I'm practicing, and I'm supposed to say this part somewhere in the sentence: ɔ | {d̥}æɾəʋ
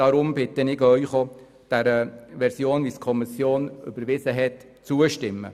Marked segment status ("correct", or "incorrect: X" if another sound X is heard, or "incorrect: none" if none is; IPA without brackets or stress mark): correct